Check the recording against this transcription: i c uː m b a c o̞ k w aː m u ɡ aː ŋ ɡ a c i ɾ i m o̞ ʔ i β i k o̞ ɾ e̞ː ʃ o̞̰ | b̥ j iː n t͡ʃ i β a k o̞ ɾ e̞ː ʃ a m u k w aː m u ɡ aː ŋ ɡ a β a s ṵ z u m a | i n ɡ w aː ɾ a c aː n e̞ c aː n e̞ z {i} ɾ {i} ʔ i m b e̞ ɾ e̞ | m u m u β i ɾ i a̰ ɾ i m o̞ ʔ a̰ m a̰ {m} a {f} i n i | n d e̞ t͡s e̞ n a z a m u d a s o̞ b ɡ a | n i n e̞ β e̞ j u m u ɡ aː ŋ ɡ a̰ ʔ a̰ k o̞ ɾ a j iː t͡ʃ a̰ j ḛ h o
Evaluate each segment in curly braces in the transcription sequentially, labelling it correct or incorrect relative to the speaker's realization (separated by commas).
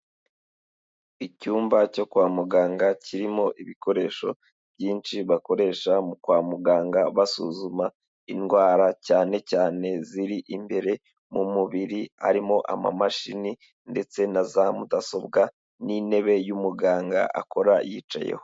correct, correct, correct, incorrect